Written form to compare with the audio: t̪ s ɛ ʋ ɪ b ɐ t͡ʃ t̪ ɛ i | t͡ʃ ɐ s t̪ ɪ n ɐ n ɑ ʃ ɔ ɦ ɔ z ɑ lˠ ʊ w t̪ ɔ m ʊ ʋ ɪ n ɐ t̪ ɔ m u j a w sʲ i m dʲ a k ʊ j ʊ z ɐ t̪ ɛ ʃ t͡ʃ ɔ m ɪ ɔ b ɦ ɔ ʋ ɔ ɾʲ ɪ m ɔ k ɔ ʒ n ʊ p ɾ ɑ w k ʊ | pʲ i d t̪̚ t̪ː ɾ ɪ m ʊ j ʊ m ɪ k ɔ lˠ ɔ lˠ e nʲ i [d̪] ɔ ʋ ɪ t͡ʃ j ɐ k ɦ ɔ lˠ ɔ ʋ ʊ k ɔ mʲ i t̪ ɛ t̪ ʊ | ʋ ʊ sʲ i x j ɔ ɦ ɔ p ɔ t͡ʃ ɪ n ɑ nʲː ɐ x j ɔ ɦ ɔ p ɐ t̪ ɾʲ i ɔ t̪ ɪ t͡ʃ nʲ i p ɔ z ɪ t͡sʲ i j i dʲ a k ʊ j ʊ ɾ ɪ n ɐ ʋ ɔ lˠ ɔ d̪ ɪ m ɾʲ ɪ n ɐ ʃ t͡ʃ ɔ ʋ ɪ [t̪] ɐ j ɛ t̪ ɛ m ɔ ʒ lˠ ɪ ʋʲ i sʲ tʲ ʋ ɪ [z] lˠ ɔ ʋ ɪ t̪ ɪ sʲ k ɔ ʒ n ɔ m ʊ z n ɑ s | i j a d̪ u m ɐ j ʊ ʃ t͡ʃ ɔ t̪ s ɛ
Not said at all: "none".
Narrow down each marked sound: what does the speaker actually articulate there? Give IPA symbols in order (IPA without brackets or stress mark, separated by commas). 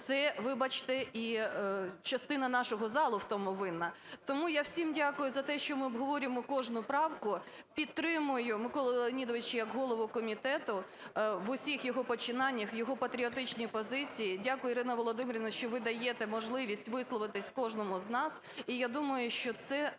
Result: d̪, d̪, s